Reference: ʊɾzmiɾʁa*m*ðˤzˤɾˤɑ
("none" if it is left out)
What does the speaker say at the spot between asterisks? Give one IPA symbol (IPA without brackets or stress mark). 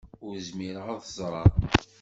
none